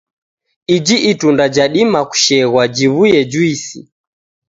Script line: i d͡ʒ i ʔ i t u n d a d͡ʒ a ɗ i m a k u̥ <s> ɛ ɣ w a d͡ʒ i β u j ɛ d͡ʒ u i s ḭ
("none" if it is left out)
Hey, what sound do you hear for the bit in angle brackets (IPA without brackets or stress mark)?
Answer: ʃ